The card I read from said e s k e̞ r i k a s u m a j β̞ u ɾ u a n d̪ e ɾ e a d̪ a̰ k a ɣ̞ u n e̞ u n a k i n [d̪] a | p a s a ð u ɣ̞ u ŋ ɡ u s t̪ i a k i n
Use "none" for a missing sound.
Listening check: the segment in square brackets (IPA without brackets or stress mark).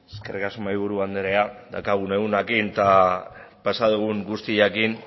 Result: t̪